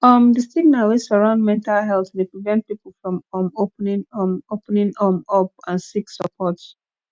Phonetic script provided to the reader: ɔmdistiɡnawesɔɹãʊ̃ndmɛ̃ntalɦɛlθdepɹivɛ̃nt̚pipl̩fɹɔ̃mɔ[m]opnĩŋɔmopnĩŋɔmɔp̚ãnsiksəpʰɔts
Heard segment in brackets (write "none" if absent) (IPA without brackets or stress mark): m